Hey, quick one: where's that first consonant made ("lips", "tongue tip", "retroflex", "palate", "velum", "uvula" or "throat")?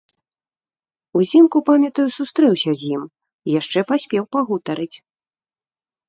tongue tip